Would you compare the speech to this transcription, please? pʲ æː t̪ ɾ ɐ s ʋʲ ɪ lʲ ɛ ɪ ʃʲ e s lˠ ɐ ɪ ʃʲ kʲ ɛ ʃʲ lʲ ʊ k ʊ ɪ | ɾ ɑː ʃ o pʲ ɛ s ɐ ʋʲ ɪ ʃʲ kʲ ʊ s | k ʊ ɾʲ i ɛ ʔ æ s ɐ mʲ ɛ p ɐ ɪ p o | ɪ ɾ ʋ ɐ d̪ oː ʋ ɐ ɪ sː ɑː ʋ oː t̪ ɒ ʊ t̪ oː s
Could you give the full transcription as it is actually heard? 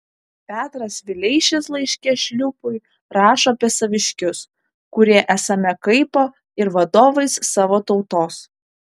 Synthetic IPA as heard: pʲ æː t̪ ɾ ɐ s ʋʲ ɪ lʲ ɛ ɪ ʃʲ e s lˠ ɐ ɪ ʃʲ kʲ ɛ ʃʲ lʲ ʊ p ʊ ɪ | ɾ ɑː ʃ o pʲ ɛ s ɐ ʋʲ ɪ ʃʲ kʲ ʊ s | k ʊ ɾʲ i ɛ ʔ æ s ɐ mʲ ɛ k ɐ ɪ p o | ɪ ɾ ʋ ɐ d̪ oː ʋ ɐ ɪ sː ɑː ʋ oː t̪ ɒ ʊ t̪ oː s

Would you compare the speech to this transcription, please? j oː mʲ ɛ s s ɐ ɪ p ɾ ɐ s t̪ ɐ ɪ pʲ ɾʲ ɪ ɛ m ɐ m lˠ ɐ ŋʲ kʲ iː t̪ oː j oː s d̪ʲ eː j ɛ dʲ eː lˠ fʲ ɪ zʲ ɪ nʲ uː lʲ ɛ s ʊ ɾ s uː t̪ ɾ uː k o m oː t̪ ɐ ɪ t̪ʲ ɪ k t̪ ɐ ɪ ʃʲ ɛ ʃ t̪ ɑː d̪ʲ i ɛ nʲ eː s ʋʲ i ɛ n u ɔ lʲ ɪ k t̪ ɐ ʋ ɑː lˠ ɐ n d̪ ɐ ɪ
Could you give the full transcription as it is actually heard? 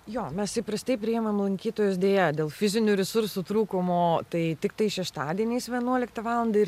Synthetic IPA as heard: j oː mʲ ɛ s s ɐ ɪ p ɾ ɐ s t̪ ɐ ɪ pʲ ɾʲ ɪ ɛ m ɐ m lˠ ɐ ŋʲ kʲ iː t̪ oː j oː s d̪ʲ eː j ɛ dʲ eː lˠ fʲ ɪ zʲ ɪ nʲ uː ɾʲ ɛ s ʊ ɾ s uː t̪ ɾ uː k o m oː t̪ ɐ ɪ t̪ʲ ɪ k t̪ ɐ ɪ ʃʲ ɛ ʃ t̪ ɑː d̪ʲ i ɛ nʲ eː s ʋʲ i ɛ n u ɔ lʲ ɪ k t̪ ɐ ʋ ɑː lˠ ɐ n d̪ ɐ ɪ

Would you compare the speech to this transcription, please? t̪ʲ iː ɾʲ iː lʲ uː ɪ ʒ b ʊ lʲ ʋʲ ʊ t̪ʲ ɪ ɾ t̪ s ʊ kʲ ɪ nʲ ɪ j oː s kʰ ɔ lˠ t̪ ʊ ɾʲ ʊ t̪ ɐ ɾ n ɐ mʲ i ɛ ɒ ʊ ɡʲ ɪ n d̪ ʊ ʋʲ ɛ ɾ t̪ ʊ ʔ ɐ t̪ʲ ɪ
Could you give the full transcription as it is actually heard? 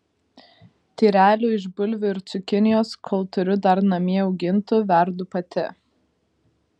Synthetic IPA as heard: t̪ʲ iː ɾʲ æː lʲ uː ɪ ʒ b ʊ lʲ ʋʲ ʊ ɪ ɾ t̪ s ʊ kʲ ɪ nʲ ɪ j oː s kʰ ɔ lˠ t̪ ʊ ɾʲ ʊ d̪ ɐ ɾ n ɐ mʲ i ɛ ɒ ʊ ɡʲ ɪ n t̪ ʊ ʋʲ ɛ ɾ d̪ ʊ p ɐ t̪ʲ ɪ

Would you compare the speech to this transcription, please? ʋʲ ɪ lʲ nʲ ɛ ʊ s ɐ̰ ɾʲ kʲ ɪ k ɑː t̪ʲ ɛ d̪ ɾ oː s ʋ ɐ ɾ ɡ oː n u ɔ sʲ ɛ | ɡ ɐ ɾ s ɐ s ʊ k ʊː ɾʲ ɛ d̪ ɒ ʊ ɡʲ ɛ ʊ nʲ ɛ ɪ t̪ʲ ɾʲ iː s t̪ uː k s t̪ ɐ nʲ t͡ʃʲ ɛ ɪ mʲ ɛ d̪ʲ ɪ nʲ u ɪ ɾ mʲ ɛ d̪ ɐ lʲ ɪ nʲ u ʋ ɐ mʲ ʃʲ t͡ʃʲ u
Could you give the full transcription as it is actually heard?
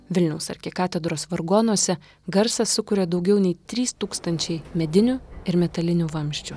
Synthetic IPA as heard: ʋʲ ɪ lʲ nʲ ɛ ʊ s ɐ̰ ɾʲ kʲ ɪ k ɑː t̪ʲ ɛ d̪ ɾ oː s ʋ ɐ ɾ ɡ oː n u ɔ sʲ ɛ | ɡ ɐ ɾ s ɐ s ʊ k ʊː ɾʲ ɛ d̪ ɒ ʊ ɡʲ ɛ ʊ nʲ ɛ ɪ t̪ʲ ɾʲ iː s t̪ uː k s t̪ ɐ nʲ t͡ʃʲ ɛ ɪ mʲ ɛ d̪ʲ ɪ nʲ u ɪ ɾ mʲ ɛ t̪ ɐ lʲ ɪ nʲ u ʋ ɐ mʲ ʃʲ t͡ʃʲ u

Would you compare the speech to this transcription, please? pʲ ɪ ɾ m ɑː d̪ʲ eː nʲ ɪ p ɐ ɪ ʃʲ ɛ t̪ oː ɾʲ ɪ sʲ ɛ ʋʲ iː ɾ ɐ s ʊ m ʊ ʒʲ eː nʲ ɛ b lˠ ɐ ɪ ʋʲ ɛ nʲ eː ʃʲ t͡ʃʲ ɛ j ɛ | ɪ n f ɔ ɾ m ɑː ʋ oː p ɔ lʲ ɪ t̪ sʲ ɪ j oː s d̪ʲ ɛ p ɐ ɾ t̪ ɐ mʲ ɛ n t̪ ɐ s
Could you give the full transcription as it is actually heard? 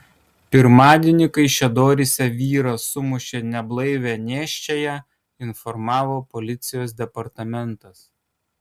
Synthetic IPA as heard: pʲ ɪ ɾ m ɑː d̪ʲ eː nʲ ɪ k ɐ ɪ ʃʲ ɛ d̪ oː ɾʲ ɪ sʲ ɛ ʋʲ iː ɾ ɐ s ʊ m ʊ ʃʲ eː nʲ ɛ b lˠ ɐ ɪ ʋʲ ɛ nʲ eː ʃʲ t͡ʃʲ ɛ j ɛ | ɪ n f ɔ ɾ m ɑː ʋ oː p ɔ lʲ ɪ t̪ sʲ ɪ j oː s d̪ʲ ɛ p ɐ ɾ t̪ ɐ mʲ ɛ n t̪ ɐ s

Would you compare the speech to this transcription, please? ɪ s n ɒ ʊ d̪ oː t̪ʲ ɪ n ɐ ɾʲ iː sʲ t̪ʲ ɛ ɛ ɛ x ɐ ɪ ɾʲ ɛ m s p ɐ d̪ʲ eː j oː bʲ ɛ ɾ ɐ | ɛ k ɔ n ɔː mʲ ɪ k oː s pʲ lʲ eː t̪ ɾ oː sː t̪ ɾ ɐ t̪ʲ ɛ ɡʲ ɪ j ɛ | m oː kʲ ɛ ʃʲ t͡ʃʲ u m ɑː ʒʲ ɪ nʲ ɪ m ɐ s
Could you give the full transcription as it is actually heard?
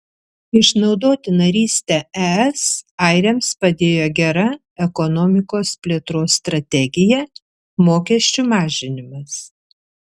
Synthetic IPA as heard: ɪ ʃ n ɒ ʊ d̪ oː t̪ʲ ɪ n ɐ ɾʲ iː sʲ t̪ʲ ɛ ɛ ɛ s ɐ ɪ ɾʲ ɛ m s p ɐ d̪ʲ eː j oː ɡʲ ɛ ɾ ɐ | ɛ k ɔ n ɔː mʲ ɪ k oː s pʲ lʲ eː t̪ ɾ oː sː t̪ ɾ ɐ t̪ʲ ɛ ɡʲ ɪ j ɛ | m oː kʲ ɛ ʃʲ t͡ʃʲ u m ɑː ʒʲ ɪ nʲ ɪ m ɐ s

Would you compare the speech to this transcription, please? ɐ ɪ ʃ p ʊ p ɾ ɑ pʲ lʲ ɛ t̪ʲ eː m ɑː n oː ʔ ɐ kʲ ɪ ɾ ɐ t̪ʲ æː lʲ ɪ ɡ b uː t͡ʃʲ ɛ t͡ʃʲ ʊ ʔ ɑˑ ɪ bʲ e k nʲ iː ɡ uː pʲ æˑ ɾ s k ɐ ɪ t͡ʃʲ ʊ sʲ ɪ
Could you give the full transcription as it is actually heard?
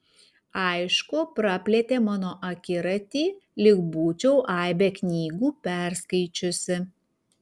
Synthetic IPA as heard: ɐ ɪ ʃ k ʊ p ɾ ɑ pʲ lʲ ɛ t̪ʲ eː m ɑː n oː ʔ ɐ kʲ ɪ ɾ ɐ t̪ʲ iː lʲ ɪ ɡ b uː t͡ʃʲ ɛ ʊ ʔ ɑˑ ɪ bʲ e k nʲ iː ɡ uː pʲ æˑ ɾ s k ɐ ɪ t͡ʃʲ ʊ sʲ ɪ

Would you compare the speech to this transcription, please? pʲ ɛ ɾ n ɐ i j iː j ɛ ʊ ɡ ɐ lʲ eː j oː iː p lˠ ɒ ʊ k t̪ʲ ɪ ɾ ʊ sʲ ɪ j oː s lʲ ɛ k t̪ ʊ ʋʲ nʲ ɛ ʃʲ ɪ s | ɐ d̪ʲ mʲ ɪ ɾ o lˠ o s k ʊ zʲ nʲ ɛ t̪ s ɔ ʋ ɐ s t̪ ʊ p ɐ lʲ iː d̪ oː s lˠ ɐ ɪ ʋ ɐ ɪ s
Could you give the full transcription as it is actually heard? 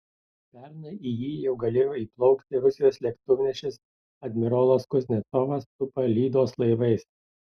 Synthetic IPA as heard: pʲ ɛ ɾ n ɐ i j iː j ɛ ʊ ɡ ɐ lʲ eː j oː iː p lˠ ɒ ʊ k t̪ʲ ɪ ɾ ʊ sʲ ɪ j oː s lʲ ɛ k t̪ ʊ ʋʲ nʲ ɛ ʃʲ ɪ s | ɐ d̪ʲ mʲ ɪ ɾ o lˠ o s k ʊ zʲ nʲ ɛ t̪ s ɔ ʋ ɐ s t̪ ʊ p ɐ lʲ iː d̪ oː s lˠ ɐ ɪ ʋ ɐ ɪ s

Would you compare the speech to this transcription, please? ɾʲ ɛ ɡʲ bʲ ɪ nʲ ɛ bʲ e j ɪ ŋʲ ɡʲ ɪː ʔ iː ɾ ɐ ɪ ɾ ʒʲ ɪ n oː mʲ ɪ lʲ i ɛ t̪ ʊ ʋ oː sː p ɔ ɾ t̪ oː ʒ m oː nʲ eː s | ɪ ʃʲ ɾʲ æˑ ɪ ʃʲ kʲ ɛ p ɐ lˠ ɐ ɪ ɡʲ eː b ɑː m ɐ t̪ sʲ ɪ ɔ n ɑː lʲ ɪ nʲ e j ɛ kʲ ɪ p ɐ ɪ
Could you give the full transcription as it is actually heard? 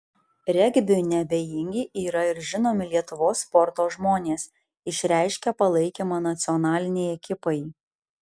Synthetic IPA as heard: ɾʲ ɛ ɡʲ bʲ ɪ nʲ ɛ bʲ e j ɪ ŋʲ ɡʲ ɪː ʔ iː ɾ ɐ ɪ ɾ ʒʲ ɪ n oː mʲ ɪ lʲ i ɛ t̪ ʊ ʋ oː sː p ɔ ɾ t̪ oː ʒ m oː nʲ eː s | ɪ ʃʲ ɾʲ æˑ ɪ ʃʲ kʲ ɛ p ɐ lˠ ɐ ɪ kʲ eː m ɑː n ɐ t̪ sʲ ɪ ɔ n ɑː lʲ ɪ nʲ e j ɛ kʲ ɪ p ɐ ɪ

